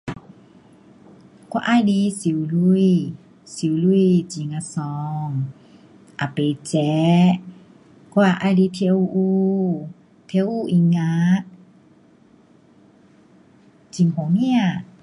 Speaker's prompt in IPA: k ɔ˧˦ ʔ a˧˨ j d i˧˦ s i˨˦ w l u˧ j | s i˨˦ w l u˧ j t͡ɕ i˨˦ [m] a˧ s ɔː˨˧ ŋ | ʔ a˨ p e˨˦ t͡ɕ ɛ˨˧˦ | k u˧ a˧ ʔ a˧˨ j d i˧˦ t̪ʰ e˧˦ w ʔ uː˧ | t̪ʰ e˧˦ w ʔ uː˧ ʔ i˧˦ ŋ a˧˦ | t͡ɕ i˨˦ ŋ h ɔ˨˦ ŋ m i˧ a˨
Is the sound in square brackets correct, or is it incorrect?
incorrect